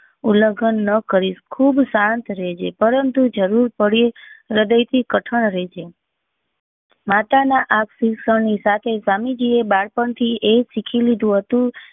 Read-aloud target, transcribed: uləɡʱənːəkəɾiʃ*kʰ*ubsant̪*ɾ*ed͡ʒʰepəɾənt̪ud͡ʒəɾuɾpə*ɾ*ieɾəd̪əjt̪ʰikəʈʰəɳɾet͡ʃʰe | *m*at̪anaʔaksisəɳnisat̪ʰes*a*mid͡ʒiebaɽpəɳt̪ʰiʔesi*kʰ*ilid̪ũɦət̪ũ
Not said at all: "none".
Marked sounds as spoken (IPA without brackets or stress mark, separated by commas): kʰ, ɾ, ɽ, m, a, kʰ